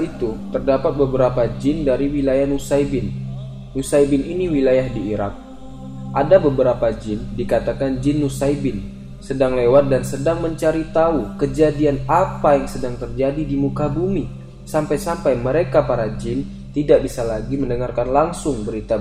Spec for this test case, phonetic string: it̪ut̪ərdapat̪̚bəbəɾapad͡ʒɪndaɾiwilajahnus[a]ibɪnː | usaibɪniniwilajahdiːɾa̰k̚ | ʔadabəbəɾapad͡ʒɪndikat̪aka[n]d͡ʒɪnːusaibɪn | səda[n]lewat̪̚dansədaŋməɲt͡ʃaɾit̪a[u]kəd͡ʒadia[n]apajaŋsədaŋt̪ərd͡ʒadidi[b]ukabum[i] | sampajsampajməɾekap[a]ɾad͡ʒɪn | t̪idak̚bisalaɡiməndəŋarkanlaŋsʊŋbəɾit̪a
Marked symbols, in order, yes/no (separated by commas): yes, yes, no, yes, yes, no, yes, yes